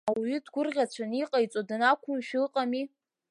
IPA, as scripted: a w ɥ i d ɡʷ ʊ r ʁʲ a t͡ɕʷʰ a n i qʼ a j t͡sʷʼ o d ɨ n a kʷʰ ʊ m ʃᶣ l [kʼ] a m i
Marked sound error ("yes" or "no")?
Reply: yes